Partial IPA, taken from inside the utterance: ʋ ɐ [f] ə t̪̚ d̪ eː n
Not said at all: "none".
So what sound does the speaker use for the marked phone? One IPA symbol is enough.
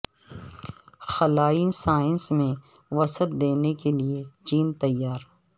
s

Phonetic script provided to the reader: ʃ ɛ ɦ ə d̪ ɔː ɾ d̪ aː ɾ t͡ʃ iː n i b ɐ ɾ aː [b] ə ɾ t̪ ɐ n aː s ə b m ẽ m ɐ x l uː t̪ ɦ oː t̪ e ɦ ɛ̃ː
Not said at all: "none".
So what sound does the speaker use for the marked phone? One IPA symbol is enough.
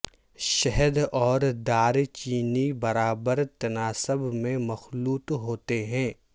b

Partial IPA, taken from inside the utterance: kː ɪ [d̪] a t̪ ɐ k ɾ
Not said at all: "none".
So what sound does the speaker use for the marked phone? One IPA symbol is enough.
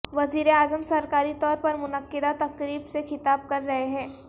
d̪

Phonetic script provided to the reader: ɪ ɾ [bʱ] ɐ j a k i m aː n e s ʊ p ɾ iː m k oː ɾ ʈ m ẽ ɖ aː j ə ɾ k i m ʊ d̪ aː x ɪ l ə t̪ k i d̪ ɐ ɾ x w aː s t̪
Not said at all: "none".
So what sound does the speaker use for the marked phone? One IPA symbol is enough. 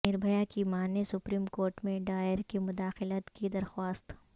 bʱ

